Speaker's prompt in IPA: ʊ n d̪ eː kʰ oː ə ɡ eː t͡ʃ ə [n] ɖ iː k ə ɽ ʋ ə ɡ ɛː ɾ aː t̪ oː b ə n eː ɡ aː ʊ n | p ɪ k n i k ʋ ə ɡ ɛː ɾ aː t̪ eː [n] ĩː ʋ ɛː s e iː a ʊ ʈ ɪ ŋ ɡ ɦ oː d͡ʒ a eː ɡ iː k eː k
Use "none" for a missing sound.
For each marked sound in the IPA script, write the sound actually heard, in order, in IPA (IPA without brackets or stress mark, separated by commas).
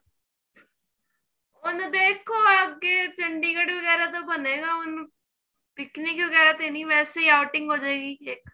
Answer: ɳ, n